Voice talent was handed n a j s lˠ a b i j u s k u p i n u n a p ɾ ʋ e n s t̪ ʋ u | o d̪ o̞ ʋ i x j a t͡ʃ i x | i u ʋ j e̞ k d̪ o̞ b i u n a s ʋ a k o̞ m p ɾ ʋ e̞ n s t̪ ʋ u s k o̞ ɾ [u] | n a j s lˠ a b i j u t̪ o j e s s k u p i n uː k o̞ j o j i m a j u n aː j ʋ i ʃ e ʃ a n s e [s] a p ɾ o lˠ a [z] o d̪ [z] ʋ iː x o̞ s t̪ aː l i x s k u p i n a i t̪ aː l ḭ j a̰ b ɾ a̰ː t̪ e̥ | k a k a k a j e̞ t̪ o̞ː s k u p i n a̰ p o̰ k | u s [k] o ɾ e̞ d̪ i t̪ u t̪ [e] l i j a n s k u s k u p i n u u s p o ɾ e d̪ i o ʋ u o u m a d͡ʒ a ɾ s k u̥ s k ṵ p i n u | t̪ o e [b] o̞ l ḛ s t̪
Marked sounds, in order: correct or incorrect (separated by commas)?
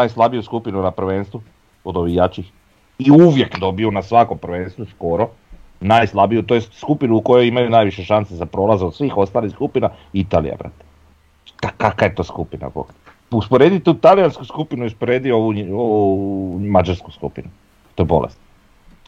incorrect, incorrect, correct, incorrect, incorrect, incorrect, correct